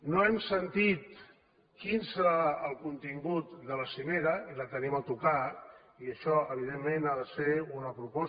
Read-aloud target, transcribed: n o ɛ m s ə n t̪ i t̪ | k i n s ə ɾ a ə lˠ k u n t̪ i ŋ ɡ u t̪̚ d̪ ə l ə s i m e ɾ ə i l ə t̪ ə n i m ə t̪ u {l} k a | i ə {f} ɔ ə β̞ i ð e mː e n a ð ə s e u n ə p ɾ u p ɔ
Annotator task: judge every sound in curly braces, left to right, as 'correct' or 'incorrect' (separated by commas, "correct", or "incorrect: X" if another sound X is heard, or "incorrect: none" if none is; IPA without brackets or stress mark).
incorrect: none, incorrect: ʃ